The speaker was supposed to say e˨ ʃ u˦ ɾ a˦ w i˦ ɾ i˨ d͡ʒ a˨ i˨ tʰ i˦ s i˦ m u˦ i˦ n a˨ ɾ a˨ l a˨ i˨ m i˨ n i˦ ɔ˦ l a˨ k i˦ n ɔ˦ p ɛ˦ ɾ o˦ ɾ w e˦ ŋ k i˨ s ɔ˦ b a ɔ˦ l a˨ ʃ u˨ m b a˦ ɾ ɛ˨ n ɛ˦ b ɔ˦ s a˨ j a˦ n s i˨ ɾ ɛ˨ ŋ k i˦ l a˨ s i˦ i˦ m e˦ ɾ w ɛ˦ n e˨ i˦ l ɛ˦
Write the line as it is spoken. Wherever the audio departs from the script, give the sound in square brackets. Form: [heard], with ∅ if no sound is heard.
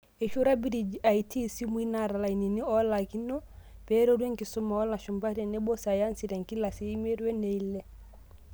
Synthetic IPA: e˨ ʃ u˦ ɾ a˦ [b] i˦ ɾ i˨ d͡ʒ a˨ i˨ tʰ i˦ s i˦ m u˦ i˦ n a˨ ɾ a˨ l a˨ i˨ [n] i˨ n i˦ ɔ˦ l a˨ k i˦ n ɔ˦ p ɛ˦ ɾ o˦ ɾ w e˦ ŋ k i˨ s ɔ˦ [m] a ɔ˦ l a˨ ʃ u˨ m b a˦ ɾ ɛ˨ n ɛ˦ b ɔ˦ s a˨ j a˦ n s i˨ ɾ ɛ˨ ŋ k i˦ l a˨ s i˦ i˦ m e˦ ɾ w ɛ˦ n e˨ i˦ l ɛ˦